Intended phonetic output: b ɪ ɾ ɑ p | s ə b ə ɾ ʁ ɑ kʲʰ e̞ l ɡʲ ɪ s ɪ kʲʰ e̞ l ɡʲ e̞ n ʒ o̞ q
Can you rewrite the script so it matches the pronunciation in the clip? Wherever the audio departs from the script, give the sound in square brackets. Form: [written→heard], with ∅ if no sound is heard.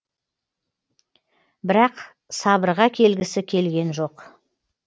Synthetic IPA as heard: b ɪ ɾ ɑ [p→q] | s [ə→ɑ] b ə ɾ ʁ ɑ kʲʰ e̞ l ɡʲ ɪ s ɪ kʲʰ e̞ l ɡʲ e̞ n ʒ o̞ q